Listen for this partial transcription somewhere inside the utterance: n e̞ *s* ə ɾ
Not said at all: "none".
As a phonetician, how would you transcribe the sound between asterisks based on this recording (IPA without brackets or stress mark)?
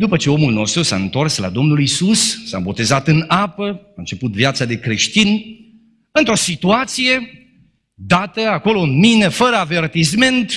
f